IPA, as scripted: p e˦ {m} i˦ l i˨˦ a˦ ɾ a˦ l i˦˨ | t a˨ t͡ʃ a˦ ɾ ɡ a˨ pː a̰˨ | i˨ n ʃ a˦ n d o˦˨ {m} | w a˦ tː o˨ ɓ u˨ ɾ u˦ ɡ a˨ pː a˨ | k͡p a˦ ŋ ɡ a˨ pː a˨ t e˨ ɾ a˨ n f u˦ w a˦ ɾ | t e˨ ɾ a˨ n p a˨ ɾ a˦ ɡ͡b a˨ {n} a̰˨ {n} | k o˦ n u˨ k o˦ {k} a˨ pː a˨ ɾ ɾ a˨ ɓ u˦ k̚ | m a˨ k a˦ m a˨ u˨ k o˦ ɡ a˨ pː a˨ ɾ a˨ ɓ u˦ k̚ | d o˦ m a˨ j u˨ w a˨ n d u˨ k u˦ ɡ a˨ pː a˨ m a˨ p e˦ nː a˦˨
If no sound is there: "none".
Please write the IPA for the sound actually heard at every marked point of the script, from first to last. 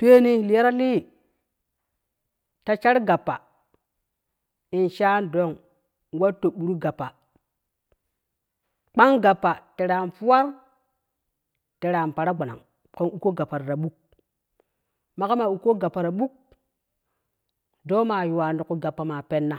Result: n, ŋ, n, ŋ, ɡ

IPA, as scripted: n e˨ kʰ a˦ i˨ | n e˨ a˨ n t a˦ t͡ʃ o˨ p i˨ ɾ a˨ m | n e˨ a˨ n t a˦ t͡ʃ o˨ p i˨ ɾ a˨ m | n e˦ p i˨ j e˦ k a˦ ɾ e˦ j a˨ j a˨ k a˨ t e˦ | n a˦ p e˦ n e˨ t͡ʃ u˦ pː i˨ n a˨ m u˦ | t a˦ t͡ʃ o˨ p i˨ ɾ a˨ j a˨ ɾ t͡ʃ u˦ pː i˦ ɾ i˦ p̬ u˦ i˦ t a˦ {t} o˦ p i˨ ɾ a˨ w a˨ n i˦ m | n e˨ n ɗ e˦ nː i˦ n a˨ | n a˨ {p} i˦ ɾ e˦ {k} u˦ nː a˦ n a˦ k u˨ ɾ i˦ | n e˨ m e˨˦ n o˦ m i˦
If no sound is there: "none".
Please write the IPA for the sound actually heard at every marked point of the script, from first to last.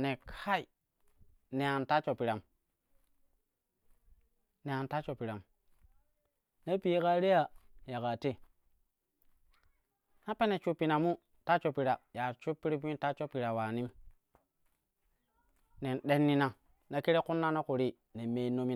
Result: t͡ʃ, k, k

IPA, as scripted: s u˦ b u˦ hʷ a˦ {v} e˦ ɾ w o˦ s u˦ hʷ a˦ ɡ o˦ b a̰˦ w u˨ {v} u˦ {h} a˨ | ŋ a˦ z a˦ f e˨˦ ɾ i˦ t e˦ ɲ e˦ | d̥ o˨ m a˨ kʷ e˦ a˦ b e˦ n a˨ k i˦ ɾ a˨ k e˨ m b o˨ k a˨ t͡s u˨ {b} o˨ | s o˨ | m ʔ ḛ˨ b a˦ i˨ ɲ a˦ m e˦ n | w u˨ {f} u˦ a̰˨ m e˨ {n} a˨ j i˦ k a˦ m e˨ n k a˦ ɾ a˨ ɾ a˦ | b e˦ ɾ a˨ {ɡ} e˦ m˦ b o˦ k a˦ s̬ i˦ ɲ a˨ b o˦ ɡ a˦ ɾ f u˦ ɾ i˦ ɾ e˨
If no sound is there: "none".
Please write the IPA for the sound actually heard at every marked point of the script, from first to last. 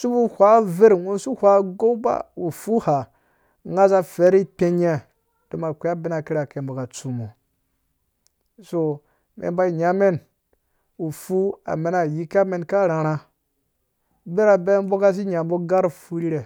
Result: v, f, h, m, f, n, b

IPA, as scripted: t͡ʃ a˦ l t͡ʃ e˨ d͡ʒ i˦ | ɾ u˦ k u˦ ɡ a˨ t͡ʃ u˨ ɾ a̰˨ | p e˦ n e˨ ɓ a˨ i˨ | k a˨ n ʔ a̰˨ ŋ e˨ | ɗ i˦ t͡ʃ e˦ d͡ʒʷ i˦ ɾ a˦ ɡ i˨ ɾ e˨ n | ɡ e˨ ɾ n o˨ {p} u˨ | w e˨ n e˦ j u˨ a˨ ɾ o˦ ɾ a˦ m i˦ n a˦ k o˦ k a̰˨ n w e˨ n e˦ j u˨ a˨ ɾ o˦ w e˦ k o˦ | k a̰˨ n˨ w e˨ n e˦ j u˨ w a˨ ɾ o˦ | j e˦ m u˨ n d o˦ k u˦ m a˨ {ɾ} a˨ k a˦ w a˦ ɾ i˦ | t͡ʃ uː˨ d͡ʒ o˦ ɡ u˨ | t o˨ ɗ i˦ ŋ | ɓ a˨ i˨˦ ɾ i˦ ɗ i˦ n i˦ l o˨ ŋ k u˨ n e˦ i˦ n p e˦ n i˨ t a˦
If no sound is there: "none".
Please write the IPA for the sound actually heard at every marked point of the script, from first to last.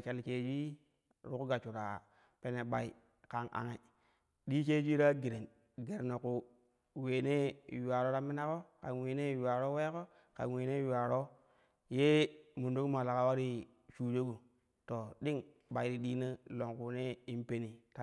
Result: k, l

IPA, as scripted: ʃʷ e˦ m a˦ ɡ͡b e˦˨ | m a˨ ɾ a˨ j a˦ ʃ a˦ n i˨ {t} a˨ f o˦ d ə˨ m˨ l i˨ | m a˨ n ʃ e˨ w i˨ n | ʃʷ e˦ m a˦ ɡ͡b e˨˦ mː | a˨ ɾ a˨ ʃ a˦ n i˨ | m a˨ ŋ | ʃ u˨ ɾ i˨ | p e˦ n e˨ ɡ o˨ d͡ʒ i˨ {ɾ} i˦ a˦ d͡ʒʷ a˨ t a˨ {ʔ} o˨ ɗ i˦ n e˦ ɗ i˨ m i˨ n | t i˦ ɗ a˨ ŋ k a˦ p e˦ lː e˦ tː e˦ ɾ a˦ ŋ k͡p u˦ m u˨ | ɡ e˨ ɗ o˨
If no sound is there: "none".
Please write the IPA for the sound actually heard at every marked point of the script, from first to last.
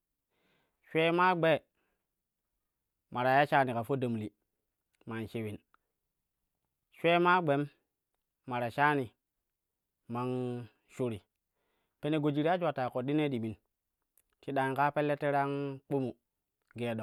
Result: k, ɾ, k

